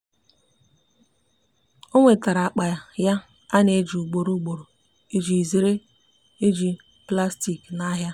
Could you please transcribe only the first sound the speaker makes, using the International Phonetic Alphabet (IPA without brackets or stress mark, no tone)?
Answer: o